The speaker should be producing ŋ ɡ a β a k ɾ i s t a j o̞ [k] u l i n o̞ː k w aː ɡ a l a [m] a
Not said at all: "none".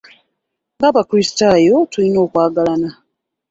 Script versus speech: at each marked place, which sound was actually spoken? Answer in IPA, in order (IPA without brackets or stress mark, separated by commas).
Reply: t, n